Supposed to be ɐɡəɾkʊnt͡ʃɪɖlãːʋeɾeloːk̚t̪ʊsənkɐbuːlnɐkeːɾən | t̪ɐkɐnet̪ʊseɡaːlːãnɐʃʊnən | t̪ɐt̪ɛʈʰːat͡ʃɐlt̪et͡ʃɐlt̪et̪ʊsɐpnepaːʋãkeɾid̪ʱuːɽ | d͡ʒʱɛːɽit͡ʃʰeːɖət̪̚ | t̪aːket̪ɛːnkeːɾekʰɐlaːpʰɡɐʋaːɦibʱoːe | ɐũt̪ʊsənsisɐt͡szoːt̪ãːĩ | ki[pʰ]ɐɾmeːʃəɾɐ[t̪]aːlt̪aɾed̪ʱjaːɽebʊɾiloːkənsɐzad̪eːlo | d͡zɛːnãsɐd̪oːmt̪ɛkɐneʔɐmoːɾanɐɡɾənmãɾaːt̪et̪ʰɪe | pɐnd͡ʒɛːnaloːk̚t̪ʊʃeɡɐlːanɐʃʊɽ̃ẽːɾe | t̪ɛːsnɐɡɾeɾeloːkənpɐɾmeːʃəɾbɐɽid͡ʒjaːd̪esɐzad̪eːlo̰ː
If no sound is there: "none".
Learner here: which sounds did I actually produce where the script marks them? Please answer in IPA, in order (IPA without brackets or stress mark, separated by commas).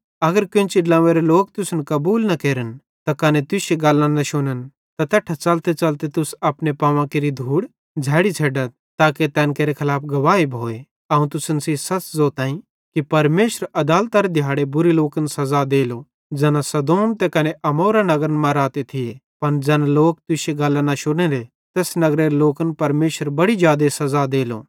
p, d̪